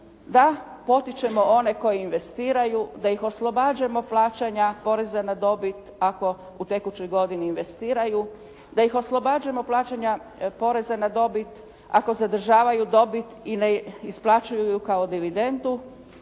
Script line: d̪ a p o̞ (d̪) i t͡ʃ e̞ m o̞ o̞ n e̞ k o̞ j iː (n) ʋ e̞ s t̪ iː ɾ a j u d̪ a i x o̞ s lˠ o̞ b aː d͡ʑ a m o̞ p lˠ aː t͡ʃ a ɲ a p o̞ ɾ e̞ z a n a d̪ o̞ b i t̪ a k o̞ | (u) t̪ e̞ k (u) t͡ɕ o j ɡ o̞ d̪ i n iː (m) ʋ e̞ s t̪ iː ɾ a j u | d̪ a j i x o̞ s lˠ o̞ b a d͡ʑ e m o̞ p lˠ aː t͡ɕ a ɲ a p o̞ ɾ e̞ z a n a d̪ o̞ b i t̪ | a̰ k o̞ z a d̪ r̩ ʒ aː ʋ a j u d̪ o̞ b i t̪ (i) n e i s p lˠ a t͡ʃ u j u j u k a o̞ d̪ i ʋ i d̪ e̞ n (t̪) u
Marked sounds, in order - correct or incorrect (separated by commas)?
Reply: incorrect, correct, correct, correct, incorrect, correct, incorrect